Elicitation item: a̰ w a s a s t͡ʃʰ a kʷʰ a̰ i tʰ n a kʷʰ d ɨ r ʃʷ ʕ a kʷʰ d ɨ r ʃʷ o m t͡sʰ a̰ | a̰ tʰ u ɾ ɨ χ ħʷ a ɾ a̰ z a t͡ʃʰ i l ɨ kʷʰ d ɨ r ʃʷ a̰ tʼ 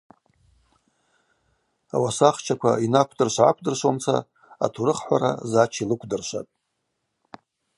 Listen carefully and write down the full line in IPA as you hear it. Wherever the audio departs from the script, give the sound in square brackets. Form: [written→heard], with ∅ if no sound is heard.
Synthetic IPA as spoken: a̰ w a s a [s→χ] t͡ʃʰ a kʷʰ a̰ i [tʰ→∅] n a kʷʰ d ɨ r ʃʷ ʕ a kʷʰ d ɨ r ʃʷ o m t͡sʰ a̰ | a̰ tʰ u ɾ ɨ χ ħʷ a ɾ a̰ z a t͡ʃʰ i l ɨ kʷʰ d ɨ r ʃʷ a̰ tʼ